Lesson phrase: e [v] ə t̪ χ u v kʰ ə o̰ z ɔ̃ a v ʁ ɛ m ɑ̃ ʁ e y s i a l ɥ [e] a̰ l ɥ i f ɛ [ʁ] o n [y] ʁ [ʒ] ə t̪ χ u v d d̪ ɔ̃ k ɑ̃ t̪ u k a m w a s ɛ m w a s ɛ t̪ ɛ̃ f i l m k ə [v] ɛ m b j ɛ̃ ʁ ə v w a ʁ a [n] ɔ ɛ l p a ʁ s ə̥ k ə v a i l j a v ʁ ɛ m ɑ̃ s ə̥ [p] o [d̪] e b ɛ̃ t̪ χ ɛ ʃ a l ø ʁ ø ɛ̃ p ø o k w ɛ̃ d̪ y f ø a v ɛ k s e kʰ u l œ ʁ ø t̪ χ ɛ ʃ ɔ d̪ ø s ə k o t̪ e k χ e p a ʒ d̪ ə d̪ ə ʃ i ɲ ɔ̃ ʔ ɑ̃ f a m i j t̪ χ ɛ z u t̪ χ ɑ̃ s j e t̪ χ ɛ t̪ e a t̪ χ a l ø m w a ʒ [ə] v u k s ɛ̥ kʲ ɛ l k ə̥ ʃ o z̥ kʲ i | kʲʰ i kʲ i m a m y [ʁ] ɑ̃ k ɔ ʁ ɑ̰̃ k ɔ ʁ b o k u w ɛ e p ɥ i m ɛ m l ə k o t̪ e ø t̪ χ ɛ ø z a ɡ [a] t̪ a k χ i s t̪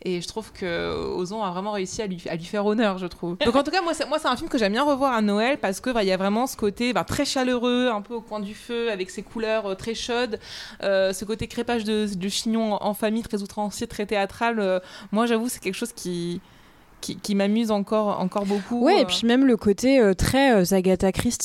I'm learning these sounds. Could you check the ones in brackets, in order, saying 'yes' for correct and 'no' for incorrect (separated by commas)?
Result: no, no, yes, no, yes, no, yes, no, no, no, no, yes